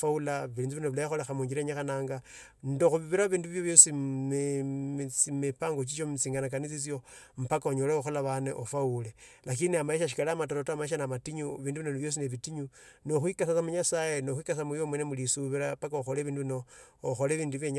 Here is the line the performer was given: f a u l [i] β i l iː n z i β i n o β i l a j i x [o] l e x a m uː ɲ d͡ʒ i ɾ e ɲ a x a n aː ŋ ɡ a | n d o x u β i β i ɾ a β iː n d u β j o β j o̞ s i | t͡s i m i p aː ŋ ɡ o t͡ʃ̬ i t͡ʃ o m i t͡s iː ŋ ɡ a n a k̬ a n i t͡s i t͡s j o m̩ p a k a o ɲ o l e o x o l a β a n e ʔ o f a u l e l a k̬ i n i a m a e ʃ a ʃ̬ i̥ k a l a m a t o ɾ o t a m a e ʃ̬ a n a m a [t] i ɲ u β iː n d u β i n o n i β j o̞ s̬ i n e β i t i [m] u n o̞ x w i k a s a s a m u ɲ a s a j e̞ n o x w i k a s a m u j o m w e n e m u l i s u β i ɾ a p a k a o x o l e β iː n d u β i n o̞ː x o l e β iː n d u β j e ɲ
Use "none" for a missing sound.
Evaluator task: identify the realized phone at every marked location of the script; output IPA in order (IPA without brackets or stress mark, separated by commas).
a, o, t, ɲ